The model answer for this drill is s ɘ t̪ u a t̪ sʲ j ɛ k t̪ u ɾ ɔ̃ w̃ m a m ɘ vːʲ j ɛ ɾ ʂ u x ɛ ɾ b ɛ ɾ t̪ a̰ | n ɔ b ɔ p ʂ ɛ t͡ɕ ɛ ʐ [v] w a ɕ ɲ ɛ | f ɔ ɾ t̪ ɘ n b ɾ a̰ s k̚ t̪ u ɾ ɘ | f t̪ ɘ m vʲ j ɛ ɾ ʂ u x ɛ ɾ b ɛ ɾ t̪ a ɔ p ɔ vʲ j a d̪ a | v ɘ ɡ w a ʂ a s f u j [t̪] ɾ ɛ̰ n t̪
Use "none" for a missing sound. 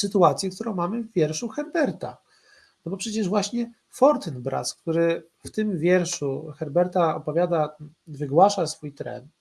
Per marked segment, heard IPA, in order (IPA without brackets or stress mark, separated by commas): v, t̪